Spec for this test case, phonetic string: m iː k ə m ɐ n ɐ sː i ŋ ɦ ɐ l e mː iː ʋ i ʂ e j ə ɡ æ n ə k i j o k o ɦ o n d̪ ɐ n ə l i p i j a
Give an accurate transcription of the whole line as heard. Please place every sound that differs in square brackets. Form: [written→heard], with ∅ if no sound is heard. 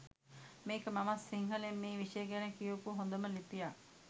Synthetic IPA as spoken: m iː k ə m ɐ [n→m] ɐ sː i ŋ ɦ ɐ l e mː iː ʋ i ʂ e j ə ɡ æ n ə k i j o k [o→u] ɦ o n d̪ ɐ [n→m] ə l i p i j a